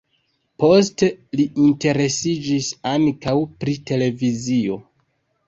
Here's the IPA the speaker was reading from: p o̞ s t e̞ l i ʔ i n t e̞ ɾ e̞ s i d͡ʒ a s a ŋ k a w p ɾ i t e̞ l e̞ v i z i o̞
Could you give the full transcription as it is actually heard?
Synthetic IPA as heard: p o̞ s t e̞ l i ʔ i n t e̞ ɾ e̞ s i d͡ʒ i s a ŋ k a w p ɾ i t e̞ l e̞ v i z i o̞